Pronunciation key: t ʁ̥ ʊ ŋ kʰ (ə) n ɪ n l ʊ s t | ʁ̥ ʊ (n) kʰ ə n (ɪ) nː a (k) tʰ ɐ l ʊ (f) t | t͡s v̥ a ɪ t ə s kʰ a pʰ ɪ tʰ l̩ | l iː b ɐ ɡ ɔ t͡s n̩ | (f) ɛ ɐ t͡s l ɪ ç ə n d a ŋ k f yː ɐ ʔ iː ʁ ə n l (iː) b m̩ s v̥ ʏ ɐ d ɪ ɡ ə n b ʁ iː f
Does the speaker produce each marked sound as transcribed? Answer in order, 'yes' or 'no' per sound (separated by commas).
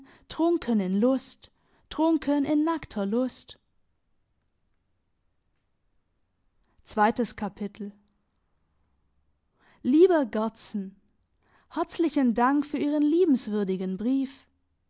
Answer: yes, no, yes, yes, no, no, yes